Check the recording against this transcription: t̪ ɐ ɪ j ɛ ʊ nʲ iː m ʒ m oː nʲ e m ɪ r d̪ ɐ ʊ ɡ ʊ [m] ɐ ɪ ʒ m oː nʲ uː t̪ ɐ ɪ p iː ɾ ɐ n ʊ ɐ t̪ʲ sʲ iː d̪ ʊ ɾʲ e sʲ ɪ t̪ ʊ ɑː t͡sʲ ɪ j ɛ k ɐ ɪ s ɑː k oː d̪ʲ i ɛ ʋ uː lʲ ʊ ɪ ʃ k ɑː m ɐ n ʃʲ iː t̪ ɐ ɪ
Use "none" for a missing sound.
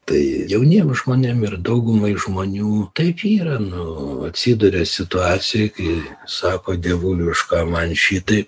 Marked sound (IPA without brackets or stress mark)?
m